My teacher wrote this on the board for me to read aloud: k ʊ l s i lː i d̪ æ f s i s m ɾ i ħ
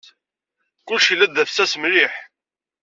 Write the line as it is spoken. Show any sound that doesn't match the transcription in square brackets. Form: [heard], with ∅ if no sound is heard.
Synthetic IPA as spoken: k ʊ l [ʃ] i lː [æ] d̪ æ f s [æ] s m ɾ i ħ